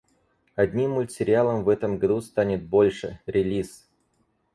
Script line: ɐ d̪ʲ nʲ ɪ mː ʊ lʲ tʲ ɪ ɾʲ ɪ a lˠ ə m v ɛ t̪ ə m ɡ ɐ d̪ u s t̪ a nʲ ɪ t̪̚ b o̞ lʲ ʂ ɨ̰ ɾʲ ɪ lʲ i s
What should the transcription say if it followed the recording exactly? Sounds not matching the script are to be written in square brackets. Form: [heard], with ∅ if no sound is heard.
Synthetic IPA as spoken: ɐ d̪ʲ nʲ [i] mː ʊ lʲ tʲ ɪ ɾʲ ɪ a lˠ ə m v ɛ t̪ ə m ɡ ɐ d̪ u s t̪ a nʲ ɪ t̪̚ b o̞ lʲ ʂ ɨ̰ ɾʲ ɪ lʲ i s

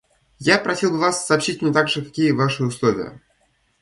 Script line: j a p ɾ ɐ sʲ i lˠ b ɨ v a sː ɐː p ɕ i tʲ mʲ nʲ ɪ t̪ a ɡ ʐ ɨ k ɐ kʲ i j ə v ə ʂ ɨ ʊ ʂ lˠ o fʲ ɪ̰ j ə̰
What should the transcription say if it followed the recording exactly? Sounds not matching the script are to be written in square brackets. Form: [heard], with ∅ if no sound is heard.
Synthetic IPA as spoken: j a p ɾ ɐ sʲ i lˠ b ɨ v a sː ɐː p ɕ i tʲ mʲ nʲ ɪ t̪ a ɡ ʐ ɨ k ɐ kʲ i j ə v [a] ʂ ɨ ʊ [s] lˠ o [vʲ] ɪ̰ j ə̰

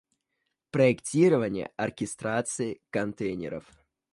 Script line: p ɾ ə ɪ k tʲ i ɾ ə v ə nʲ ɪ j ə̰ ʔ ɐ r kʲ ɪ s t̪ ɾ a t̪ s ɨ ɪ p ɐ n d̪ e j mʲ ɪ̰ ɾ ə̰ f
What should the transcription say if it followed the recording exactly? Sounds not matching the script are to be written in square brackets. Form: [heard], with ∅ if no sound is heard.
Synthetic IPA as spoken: p ɾ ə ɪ k tʲ i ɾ ə v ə nʲ ɪ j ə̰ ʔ ɐ r kʲ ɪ s t̪ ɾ a t̪ s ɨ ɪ [k] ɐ n [t̪] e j [nʲ] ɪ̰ ɾ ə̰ f

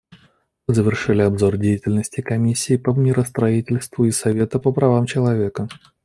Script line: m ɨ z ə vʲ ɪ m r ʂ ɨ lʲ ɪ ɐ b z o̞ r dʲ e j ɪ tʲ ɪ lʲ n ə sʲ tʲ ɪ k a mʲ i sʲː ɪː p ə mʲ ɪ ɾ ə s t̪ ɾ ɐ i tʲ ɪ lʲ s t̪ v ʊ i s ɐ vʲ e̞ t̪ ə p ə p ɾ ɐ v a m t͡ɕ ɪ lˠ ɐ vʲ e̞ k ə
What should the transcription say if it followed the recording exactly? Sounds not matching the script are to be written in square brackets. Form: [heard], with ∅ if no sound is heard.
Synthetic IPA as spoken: m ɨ z ə vʲ ɪ [∅] r ʂ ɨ lʲ ɪ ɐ b z o̞ r dʲ e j ɪ tʲ ɪ lʲ n ə sʲ tʲ ɪ k [ɐ] mʲ i sʲː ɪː p ə mʲ ɪ ɾ ə s t̪ ɾ ɐ i tʲ ɪ lʲ s t̪ v ʊ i s ɐ vʲ e̞ t̪ ə p ə p ɾ ɐ v a m t͡ɕ ɪ lˠ ɐ vʲ e̞ k ə

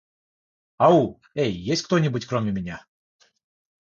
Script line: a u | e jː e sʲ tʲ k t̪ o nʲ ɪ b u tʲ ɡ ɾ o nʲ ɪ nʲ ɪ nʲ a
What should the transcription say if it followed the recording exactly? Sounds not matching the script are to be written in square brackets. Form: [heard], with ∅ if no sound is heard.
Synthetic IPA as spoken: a u | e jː e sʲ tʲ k t̪ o nʲ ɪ b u tʲ [k] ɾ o [mʲ] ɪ [mʲ] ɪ nʲ a

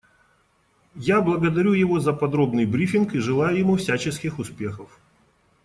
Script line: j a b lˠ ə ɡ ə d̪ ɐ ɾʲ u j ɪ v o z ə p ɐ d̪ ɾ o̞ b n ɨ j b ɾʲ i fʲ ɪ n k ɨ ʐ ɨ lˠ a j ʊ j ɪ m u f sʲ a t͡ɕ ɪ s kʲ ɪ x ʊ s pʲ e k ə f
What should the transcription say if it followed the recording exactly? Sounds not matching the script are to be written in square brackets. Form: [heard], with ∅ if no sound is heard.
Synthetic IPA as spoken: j a b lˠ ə ɡ ə d̪ ɐ ɾʲ u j ɪ v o z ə p ɐ d̪ ɾ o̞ b n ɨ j b ɾʲ i fʲ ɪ n k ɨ ʐ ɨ lˠ a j ʊ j ɪ m u f sʲ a t͡ɕ ɪ s kʲ ɪ x ʊ s pʲ e [x] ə f

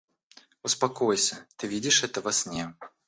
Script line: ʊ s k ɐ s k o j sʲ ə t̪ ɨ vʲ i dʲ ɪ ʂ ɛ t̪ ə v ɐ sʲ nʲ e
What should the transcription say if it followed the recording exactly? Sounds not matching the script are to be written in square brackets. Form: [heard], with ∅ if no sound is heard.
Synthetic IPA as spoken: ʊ s [p] ɐ [∅] k o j sʲ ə t̪ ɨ vʲ i dʲ ɪ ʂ ɛ t̪ ə v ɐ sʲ nʲ e

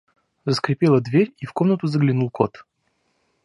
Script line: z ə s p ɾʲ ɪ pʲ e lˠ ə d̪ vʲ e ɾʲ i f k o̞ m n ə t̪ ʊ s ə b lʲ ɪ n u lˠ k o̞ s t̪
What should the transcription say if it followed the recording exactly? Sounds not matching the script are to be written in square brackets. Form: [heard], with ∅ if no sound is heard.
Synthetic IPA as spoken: z ə s [k] ɾʲ ɪ pʲ e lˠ ə d̪ vʲ e ɾʲ i f k o̞ m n ə t̪ ʊ [z] ə [ɡ] lʲ ɪ n u lˠ k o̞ [∅] t̪

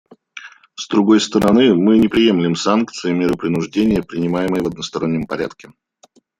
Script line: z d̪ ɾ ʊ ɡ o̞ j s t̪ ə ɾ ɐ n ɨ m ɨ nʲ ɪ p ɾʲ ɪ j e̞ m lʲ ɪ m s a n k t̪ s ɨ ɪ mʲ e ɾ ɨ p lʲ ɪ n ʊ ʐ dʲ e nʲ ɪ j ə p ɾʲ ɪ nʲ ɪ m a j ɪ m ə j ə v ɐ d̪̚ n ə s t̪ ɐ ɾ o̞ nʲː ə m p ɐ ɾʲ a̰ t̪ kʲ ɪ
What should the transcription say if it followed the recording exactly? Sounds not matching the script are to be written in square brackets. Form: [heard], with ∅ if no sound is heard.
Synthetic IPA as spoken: z d̪ ɾ ʊ ɡ o̞ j s t̪ ə ɾ ɐ n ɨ m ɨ nʲ ɪ p ɾʲ ɪ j e̞ m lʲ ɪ m s a n k t̪ s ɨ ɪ mʲ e ɾ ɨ p [ɾʲ] ɪ n ʊ ʐ dʲ e nʲ ɪ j ə p ɾʲ ɪ nʲ ɪ m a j ɪ m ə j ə v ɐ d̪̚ n ə s t̪ ɐ ɾ o̞ nʲː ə m p ɐ ɾʲ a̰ t̪ kʲ ɪ

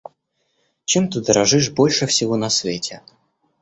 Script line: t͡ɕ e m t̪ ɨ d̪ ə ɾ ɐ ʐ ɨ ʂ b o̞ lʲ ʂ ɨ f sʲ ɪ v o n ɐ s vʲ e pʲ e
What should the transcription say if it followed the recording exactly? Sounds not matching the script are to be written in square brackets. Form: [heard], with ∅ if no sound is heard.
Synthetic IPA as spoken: t͡ɕ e m t̪ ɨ d̪ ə ɾ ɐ ʐ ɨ ʂ b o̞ lʲ ʂ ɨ f sʲ ɪ v o n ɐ s vʲ e [tʲ] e

